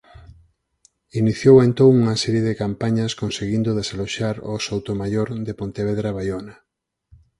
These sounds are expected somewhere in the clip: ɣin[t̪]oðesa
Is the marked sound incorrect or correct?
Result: incorrect